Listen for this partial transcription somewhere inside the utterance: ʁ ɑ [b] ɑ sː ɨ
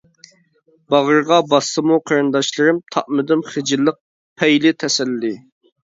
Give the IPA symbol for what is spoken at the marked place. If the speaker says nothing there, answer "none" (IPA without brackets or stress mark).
b